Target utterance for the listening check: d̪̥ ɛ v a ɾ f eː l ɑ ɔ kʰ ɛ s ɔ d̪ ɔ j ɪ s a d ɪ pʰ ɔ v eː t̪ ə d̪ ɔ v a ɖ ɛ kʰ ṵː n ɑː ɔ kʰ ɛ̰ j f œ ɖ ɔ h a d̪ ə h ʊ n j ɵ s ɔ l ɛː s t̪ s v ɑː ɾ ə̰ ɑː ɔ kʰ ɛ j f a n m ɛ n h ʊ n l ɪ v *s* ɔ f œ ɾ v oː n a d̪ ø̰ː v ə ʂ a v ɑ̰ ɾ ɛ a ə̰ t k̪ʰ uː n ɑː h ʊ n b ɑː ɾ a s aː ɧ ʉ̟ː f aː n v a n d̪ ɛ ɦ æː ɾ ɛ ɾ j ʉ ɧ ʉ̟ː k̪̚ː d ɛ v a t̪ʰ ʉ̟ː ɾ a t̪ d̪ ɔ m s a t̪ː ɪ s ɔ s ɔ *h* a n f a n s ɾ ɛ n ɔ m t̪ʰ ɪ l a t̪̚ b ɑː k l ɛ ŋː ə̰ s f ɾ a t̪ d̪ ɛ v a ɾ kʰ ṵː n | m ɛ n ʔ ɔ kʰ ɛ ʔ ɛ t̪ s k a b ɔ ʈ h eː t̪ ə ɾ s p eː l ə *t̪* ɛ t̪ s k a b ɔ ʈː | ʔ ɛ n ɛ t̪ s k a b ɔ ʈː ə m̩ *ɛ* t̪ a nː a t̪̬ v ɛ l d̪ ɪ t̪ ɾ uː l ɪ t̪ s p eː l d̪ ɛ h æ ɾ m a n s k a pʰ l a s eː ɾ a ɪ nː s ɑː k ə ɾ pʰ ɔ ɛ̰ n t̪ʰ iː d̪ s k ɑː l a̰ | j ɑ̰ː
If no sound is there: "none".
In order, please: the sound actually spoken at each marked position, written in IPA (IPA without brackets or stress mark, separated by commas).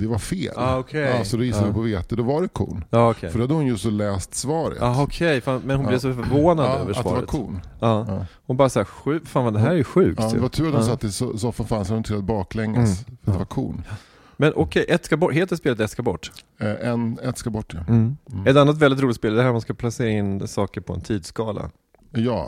s, f, t̪, ɛ